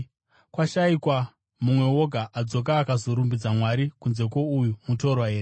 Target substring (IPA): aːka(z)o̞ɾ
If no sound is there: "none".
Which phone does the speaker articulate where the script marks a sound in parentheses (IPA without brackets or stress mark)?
z